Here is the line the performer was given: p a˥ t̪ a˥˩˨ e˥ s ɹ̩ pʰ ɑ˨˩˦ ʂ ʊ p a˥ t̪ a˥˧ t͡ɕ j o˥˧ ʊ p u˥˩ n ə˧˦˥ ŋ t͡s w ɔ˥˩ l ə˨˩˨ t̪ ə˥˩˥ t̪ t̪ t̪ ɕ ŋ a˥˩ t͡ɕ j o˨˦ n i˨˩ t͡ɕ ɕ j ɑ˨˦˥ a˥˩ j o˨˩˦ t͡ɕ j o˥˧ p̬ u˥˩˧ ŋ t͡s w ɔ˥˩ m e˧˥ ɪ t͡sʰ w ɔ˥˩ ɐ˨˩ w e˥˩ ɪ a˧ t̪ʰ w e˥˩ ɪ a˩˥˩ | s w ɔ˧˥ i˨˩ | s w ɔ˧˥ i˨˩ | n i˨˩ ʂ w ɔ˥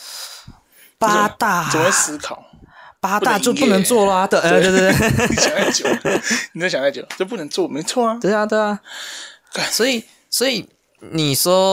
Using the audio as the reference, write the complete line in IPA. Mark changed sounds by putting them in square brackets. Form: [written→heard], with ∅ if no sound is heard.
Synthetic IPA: p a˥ t̪ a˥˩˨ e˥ s ɹ̩ [pʰ→kʰ] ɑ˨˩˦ [ʂ→∅] ʊ p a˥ t̪ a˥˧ t͡ɕ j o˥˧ ʊ p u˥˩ n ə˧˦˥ ŋ t͡s w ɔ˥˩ l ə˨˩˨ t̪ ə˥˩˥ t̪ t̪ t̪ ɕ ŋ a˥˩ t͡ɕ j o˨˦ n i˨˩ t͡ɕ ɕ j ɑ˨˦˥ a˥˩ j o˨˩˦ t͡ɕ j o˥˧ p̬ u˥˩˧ ŋ t͡s w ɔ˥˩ m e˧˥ ɪ t͡sʰ w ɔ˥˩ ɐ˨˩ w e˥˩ ɪ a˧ [t̪ʰ→t̪] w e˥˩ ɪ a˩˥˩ | s w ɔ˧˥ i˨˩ | s w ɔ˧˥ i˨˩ | n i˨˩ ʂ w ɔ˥